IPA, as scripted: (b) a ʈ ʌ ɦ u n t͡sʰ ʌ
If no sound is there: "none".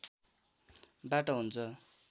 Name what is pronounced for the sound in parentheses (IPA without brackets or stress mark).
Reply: b